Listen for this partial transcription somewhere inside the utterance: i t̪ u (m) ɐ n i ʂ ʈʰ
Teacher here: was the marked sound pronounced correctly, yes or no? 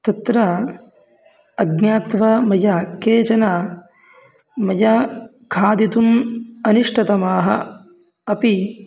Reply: yes